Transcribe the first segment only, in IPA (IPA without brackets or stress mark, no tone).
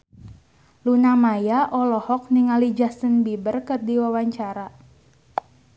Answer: l